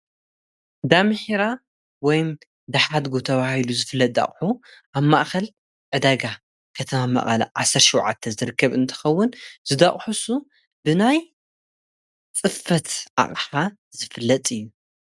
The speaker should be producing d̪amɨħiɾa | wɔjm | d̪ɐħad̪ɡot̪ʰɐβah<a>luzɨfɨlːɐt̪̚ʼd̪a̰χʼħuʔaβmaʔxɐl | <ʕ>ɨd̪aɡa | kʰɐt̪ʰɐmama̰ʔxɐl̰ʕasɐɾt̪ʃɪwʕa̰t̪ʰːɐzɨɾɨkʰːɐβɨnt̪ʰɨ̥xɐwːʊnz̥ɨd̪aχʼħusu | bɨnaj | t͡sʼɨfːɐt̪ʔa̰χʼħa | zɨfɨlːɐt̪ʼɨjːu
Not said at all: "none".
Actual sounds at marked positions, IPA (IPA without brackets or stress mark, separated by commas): i, ʕ